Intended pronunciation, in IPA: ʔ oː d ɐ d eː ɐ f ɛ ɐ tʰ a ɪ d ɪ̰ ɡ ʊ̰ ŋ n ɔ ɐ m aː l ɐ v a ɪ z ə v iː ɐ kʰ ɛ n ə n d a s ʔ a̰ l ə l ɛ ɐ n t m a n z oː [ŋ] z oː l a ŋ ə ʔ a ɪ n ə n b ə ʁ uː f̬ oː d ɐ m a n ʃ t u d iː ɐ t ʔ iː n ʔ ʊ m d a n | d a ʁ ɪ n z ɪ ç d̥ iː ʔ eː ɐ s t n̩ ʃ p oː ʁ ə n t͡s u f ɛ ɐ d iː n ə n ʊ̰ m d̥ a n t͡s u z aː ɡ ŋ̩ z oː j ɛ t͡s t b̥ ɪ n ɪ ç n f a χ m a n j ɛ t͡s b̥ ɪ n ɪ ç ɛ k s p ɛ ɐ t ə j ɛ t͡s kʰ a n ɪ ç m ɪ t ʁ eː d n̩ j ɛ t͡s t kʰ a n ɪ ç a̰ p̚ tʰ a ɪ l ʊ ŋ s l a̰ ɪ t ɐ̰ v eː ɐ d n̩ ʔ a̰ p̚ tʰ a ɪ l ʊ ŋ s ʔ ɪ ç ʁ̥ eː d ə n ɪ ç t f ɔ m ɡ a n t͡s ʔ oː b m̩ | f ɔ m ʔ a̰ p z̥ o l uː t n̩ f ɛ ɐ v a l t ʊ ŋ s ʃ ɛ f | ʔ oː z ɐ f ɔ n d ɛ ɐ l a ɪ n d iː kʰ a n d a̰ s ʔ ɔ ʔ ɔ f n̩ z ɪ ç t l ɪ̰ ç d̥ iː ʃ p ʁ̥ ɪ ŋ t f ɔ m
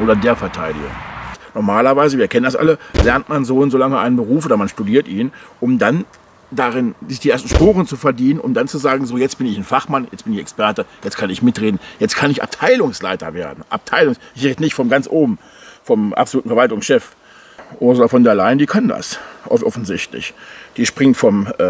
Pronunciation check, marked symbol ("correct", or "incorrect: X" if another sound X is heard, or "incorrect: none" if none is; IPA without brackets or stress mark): incorrect: n